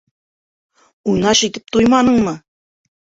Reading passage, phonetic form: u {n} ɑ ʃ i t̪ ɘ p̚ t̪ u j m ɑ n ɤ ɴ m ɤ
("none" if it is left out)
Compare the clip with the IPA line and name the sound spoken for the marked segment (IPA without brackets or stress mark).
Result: n